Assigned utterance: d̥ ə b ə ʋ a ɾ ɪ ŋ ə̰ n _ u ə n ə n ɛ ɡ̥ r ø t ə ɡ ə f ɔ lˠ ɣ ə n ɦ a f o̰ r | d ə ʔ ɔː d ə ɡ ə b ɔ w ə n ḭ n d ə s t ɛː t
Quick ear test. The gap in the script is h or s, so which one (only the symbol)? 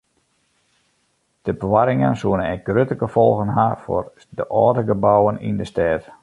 s